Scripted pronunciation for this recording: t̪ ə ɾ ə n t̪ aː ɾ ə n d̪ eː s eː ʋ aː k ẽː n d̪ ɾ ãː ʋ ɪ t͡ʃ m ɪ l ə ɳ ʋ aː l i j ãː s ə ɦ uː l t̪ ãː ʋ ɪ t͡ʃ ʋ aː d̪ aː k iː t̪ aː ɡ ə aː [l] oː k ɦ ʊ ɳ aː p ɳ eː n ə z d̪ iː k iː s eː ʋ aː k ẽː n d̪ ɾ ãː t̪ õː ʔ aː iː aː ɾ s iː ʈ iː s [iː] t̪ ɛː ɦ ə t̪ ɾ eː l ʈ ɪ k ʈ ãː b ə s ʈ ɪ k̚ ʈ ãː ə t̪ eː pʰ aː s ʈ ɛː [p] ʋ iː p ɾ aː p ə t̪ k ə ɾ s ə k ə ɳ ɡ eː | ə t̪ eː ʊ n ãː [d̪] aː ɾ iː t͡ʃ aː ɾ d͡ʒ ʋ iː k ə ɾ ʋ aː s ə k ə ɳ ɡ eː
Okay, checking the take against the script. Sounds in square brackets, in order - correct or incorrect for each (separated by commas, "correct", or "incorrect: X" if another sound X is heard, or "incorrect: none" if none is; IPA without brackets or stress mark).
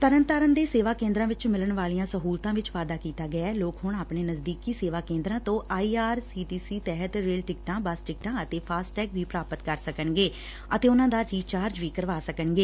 correct, correct, incorrect: k, correct